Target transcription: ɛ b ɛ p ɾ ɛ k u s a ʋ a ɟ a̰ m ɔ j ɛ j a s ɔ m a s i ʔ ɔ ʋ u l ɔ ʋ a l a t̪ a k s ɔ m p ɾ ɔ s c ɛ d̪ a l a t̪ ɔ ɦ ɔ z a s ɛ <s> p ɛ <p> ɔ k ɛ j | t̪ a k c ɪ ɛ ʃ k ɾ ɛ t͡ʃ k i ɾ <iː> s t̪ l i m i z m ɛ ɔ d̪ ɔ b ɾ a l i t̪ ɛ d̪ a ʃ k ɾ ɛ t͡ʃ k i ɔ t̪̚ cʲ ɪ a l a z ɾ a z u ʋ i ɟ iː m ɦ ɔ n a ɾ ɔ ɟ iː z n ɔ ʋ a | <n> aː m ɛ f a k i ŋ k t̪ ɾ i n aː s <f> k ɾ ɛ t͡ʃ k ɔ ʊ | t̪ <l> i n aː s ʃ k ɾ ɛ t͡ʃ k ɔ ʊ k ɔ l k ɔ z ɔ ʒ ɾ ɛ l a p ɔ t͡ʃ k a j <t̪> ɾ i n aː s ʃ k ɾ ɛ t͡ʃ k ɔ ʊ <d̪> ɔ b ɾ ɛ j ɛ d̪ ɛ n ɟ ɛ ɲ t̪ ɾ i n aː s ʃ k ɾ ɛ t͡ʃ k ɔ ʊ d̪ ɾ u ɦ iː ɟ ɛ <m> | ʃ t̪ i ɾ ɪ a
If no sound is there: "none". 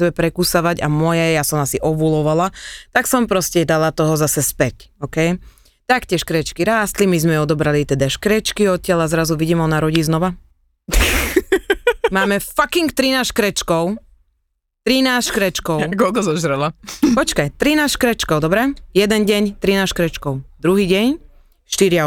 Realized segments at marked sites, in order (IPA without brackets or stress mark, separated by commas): s, c, aː, m, ʃ, ɾ, t̪, d̪, ɲ